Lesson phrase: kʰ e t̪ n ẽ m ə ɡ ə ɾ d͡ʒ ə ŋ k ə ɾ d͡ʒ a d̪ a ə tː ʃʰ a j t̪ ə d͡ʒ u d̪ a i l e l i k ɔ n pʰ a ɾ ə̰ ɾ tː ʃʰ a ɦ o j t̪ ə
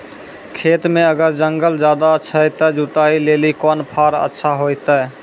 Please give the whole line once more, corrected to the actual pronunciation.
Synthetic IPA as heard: kʰ e t̪ m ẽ ə ɡ ə ɾ d͡ʒ ə ŋ ɡ ə l d͡ʒ a d̪ a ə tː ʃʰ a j t̪ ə d͡ʒ u t̪ a i l e l i k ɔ n pʰ a ɾ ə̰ tː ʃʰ a ɦ o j t̪ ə

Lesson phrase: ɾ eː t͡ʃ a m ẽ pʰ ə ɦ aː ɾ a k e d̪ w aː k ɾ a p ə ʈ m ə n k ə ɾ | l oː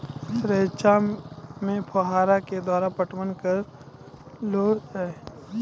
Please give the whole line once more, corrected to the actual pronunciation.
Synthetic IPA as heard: ɾ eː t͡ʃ a m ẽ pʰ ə ɦ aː ɾ a k e d̪ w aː ɾ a p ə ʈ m ə n k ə ɾ | l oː

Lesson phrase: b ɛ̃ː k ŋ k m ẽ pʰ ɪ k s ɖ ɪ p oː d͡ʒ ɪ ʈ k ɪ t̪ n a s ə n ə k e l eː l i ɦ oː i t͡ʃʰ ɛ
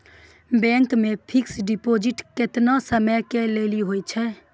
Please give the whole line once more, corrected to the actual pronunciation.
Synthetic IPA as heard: b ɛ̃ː ŋ k m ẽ pʰ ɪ k s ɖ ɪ p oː d͡ʒ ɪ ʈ k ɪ t̪ n a s ə m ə k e l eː l i ɦ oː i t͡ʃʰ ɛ

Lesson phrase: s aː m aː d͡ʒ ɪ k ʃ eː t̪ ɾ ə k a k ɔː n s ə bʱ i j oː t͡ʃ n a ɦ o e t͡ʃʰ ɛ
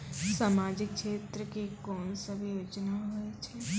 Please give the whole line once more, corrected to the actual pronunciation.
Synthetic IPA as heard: s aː m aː d͡ʒ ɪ k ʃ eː t̪ ɾ ə k e k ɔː n s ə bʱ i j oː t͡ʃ n a ɦ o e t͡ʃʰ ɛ

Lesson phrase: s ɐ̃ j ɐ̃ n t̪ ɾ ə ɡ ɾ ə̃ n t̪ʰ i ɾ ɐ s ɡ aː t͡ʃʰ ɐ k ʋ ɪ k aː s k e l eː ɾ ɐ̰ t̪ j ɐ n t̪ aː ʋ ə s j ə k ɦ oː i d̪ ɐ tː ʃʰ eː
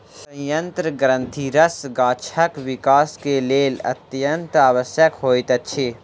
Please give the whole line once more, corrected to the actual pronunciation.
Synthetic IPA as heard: s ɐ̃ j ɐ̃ n t̪ ɾ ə ɡ ɾ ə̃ n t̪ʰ i ɾ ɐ s ɡ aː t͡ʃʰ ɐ k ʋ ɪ k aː s k e l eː l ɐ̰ t̪ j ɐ n t̪ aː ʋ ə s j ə k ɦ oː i t̪ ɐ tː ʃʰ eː

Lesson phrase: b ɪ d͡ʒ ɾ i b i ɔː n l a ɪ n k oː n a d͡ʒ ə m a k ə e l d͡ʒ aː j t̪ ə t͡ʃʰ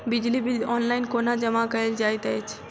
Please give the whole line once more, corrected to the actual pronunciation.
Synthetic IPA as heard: b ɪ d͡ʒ l i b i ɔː n l a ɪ n k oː n a d͡ʒ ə m a k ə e l d͡ʒ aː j t̪ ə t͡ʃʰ

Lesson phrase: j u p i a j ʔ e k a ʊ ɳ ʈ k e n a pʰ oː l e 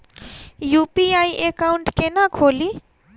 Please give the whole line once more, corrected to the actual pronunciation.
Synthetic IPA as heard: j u p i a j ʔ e k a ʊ ɳ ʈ k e n a kʰ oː l i

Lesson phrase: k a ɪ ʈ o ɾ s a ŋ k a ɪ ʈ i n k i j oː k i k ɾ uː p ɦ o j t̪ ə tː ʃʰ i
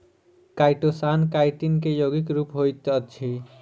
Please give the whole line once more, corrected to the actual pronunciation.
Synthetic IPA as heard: k a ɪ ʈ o s a n k a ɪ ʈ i n k e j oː ɡ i k ɾ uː p ɦ o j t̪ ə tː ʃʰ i

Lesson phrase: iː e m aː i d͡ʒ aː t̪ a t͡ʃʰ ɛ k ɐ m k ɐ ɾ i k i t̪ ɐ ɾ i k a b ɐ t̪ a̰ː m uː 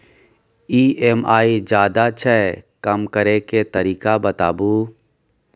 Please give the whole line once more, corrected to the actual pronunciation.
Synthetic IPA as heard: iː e m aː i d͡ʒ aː d̪ a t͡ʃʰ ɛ k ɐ m k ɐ ɾ e k e t̪ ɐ ɾ iː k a b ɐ t̪ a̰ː b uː

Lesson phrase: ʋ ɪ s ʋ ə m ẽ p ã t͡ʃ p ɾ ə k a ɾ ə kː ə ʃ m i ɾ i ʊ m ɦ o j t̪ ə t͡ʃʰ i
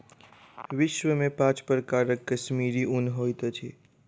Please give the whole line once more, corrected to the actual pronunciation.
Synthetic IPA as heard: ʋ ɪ ʃ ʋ ə m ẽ p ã t͡ʃ p ɾ ə k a ɾ ə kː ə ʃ m i ɾ i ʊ n ɦ o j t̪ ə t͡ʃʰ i

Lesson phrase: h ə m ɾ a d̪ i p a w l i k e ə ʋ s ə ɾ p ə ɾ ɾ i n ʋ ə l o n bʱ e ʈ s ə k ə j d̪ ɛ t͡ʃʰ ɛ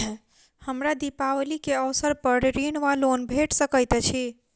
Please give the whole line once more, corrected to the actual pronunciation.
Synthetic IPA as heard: h ə m ɾ a d̪ i p a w l i k e ə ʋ s ə ɾ p ə ɾ ɾ i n ʋ a l o n bʱ e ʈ s ə k ə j t̪ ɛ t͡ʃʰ i

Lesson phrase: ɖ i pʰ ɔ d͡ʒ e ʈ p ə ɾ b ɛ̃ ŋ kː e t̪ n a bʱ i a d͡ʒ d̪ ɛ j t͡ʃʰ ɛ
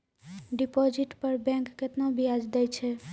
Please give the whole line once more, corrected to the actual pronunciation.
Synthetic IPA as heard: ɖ i p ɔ d͡ʒ i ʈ p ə ɾ b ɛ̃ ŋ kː e t̪ n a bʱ i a d͡ʒ d̪ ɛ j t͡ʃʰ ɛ

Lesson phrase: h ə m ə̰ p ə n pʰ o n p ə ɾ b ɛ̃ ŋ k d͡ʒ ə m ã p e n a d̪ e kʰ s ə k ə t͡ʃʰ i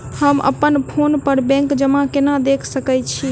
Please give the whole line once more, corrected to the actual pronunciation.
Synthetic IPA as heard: h ə m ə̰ p ə n pʰ o n p ə ɾ b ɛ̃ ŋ k d͡ʒ ə m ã k e n a d̪ e kʰ s ə k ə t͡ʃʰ i

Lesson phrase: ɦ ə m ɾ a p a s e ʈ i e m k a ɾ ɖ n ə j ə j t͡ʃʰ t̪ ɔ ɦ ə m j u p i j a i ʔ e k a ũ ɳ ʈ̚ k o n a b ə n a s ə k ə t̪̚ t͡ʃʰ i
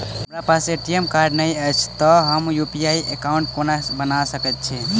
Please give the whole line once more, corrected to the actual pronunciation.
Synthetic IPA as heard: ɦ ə m ɾ a p a s e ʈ i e m k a ɾ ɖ n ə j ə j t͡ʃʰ t̪ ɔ ɦ ə m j u p i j a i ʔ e k a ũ ɳ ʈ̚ k o n a b ə n a s ə k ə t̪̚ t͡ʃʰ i

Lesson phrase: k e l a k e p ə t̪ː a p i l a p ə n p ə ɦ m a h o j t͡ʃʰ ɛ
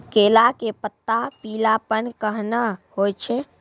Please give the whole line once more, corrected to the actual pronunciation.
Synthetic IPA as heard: k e l a k e p ə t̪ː a p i l a p ə n k ə ɦ n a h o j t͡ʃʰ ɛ

